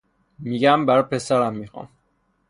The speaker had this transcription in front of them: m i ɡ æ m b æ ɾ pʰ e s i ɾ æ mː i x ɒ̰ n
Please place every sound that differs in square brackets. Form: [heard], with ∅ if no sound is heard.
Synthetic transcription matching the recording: m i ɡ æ m b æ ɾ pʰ e s [æ] ɾ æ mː i x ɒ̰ [m]